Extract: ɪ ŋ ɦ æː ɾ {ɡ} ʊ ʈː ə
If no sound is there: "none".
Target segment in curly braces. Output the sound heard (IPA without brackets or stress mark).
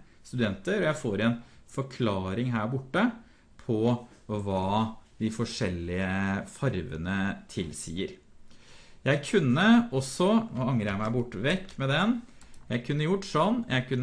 b